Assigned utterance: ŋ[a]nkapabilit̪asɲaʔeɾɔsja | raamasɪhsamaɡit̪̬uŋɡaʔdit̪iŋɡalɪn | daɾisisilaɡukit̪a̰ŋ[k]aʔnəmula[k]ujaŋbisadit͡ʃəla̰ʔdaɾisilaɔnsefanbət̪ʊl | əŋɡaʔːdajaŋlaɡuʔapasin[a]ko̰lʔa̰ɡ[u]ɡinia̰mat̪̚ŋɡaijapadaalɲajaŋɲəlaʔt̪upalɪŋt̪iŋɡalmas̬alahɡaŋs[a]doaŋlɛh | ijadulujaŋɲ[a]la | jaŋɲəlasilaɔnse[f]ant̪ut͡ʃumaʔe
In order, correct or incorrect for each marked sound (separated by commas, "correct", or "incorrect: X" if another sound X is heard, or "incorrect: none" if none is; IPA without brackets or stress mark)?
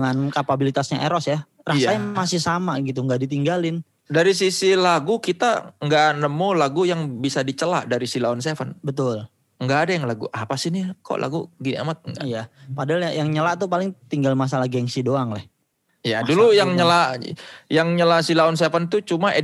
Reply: correct, incorrect: ɡ, incorrect: ɡ, incorrect: i, correct, incorrect: i, incorrect: ə, correct